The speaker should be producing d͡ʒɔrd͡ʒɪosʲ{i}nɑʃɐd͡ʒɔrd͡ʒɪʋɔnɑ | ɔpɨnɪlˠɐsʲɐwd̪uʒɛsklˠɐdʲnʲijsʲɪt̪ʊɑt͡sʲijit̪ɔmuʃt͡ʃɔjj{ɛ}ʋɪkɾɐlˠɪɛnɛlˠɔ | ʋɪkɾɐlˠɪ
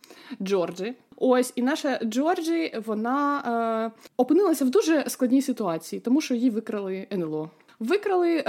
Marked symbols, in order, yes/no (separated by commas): yes, no